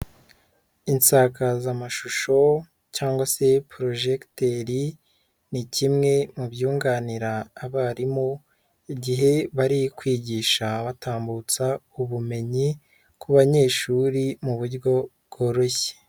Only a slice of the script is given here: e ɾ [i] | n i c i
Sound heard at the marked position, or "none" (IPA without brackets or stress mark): i